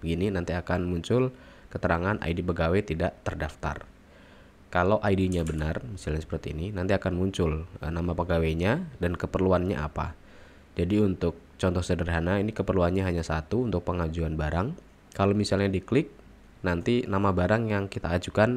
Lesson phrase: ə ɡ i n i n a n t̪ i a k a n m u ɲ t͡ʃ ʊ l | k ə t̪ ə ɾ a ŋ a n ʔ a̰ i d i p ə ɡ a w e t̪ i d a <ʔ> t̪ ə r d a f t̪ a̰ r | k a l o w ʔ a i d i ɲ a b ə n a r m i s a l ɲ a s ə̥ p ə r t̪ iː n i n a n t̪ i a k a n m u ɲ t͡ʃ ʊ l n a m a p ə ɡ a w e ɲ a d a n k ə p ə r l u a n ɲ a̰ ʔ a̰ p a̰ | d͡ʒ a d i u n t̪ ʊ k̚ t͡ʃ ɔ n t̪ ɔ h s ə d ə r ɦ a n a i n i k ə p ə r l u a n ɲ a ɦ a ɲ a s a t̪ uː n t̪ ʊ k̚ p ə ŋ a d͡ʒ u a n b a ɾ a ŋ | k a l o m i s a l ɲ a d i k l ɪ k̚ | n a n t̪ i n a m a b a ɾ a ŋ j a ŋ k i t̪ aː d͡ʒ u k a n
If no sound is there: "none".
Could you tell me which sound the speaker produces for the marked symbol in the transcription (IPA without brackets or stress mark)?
ʔ